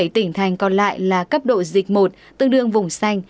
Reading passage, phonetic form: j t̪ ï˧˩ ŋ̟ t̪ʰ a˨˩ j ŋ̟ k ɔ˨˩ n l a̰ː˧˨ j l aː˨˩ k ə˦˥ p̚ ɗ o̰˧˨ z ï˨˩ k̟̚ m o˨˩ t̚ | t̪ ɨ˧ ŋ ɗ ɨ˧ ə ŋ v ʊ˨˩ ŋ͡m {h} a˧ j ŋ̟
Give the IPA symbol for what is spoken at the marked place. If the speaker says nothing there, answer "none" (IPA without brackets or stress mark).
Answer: s